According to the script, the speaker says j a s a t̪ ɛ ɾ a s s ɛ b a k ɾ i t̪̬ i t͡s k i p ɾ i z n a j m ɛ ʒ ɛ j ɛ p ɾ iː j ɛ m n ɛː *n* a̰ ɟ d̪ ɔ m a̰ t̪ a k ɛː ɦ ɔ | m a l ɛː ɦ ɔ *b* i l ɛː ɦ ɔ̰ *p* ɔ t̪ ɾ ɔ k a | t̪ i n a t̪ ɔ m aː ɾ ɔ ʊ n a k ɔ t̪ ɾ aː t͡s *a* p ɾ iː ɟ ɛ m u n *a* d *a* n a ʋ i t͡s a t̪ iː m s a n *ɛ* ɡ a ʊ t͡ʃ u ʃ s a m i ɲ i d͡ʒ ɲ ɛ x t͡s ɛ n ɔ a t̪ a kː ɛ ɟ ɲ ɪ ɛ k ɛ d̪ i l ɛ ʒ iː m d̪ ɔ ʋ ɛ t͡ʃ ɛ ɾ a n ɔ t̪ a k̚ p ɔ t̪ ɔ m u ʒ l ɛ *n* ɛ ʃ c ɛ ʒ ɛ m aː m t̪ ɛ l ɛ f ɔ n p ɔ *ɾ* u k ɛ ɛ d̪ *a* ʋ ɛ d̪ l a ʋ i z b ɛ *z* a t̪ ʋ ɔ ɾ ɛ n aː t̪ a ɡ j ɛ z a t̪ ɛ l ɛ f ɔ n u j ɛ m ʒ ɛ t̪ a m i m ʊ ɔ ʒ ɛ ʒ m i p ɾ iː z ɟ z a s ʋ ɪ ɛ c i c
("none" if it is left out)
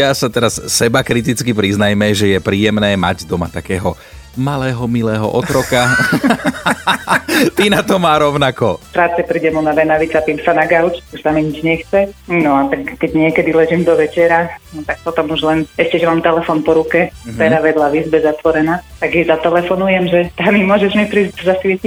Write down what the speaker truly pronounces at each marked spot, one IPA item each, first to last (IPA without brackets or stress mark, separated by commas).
m, m, ʔ, ɛ, a, ɛ, a, n, ɾ, a, z